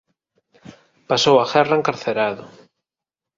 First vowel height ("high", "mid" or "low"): low